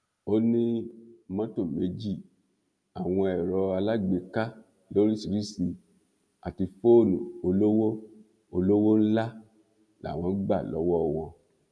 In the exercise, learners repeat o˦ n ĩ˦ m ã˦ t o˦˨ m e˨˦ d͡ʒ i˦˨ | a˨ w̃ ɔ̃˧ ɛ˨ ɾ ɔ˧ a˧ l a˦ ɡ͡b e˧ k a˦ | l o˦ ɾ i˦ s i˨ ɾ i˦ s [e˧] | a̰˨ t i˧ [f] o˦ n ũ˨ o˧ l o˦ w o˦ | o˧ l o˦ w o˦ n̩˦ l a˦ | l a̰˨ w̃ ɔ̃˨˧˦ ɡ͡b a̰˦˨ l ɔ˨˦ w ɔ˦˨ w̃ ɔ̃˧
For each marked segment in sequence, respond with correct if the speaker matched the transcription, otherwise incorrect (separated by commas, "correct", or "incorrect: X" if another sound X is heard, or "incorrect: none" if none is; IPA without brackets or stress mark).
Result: incorrect: i˧, correct